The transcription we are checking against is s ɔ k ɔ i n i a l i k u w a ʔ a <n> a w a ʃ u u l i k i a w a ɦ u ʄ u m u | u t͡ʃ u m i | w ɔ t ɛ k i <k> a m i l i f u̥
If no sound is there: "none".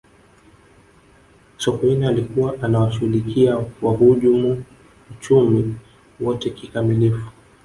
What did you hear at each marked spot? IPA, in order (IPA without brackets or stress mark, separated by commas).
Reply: n, k